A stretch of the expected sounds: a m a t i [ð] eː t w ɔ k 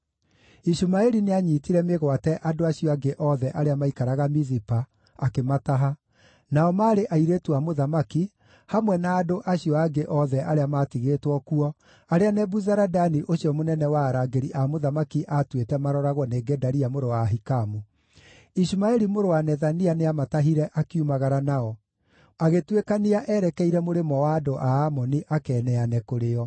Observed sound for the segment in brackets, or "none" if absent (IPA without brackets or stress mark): ɣ